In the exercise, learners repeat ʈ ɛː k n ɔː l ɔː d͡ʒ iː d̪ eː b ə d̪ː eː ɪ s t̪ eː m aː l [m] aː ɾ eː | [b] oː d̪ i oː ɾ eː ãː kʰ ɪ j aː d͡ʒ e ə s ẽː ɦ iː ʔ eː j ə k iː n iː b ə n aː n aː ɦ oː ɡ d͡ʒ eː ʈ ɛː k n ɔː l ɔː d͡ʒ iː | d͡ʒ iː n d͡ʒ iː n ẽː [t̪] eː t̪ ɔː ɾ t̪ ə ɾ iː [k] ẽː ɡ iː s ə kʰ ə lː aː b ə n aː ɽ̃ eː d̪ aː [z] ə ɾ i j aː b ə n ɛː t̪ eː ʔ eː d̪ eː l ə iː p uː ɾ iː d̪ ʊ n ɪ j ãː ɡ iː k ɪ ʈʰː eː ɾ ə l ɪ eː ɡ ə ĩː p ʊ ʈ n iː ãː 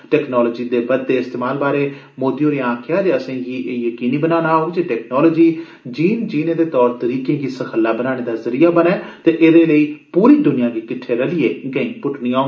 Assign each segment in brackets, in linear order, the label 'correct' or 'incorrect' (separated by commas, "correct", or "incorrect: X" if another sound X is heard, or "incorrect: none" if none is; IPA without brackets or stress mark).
incorrect: b, incorrect: m, incorrect: d̪, correct, correct